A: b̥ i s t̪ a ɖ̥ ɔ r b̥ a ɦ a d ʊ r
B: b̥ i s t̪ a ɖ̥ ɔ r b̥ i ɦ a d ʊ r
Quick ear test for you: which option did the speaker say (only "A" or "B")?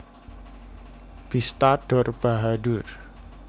A